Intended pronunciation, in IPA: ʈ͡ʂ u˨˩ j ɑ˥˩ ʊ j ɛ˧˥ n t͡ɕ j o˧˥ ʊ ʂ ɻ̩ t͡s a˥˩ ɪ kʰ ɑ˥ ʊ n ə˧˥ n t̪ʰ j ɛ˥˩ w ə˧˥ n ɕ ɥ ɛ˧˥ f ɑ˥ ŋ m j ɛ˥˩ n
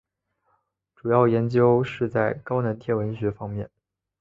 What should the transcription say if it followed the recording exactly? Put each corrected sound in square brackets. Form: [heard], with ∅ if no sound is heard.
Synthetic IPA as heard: ʈ͡ʂ u˨˩ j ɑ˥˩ ʊ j ɛ˧˥ n t͡ɕ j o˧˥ ʊ ʂ ɻ̩ t͡s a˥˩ ɪ [k] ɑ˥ ʊ n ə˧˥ n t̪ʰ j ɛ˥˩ w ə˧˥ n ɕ ɥ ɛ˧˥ f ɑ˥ ŋ m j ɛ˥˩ n